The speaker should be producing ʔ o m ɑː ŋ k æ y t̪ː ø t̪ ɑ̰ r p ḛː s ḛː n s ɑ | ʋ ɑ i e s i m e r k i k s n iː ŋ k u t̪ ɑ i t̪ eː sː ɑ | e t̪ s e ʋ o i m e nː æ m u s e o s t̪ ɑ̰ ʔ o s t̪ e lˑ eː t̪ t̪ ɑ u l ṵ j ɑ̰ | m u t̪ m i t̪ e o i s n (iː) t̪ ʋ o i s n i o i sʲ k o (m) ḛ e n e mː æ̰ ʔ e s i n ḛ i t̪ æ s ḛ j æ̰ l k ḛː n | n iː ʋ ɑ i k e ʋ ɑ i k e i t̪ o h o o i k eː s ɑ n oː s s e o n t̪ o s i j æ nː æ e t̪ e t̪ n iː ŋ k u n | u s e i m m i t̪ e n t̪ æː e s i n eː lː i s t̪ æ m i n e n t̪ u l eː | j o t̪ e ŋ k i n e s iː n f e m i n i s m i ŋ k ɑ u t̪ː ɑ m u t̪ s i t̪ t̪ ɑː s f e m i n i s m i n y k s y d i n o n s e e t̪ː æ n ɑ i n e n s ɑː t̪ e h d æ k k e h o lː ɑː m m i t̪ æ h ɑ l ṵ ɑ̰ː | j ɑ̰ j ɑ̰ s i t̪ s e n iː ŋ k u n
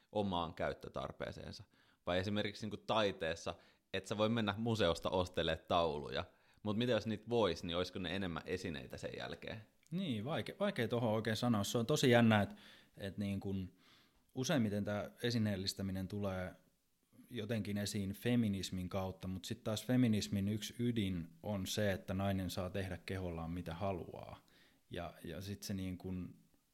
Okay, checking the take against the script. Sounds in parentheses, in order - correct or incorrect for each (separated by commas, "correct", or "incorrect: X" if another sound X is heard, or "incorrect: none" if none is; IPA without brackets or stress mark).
correct, incorrect: n